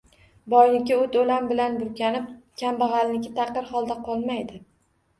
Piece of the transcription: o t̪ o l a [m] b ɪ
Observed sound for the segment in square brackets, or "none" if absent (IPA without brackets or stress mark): m